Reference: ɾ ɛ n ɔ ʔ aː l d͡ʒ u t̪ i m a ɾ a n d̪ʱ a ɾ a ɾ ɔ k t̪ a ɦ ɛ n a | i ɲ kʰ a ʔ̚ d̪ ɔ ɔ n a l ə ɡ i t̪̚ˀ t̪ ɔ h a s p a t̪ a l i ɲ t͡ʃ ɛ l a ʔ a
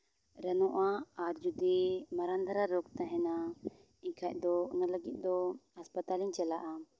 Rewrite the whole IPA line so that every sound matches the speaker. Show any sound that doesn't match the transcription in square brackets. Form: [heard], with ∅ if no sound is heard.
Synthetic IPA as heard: ɾ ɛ n ɔ ʔ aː [ɾ] d͡ʒ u [d̪] i m a ɾ a n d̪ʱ a ɾ a ɾ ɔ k t̪ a ɦ ɛ n a | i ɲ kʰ a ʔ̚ d̪ ɔ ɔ n a l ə ɡ i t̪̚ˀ [d̪] ɔ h a s p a t̪ a l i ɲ t͡ʃ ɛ l a ʔ a